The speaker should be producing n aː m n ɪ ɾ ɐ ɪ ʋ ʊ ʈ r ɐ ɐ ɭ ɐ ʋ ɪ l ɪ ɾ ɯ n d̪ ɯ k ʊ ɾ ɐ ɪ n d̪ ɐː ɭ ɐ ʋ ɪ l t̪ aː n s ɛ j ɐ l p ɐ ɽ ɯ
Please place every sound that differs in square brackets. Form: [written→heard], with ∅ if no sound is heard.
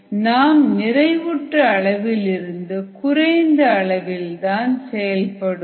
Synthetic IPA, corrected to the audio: n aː m n ɪ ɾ ɐ ɪ ʋ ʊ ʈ r ɐ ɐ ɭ ɐ ʋ ɪ l ɪ ɾ ɯ n d̪ ɯ k ʊ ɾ ɐ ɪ n d̪ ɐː ɭ ɐ ʋ ɪ l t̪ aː n s ɛ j ɐ l p ɐ ɽ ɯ